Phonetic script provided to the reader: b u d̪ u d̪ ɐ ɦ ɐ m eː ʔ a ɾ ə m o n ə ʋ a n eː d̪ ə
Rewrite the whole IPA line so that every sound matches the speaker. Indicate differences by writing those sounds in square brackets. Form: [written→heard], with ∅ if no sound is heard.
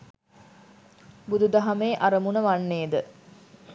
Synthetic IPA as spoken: b u d̪ u d̪ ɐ ɦ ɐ m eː ʔ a ɾ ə m [o→u] n ə ʋ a [n→nː] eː d̪ ə